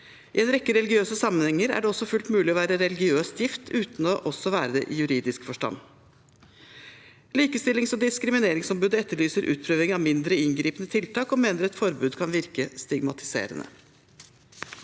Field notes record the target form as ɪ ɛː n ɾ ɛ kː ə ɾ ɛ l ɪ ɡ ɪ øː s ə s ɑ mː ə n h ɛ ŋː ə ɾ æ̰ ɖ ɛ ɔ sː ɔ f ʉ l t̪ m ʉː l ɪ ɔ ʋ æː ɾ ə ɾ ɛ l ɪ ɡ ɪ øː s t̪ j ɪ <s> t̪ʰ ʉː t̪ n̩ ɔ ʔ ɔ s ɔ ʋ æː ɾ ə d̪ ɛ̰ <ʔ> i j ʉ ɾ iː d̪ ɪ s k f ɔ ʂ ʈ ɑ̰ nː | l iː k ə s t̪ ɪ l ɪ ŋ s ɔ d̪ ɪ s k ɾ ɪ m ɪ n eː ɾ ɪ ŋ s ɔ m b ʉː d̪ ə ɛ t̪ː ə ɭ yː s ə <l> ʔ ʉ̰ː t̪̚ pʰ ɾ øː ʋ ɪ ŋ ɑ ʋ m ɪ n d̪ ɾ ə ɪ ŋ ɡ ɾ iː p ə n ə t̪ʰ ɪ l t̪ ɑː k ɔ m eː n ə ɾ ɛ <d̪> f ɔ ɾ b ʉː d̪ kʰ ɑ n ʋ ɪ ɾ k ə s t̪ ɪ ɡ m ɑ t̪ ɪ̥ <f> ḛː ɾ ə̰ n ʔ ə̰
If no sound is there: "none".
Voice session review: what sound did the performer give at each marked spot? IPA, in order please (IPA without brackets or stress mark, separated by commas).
f, ʔ, ɾ, t̪, s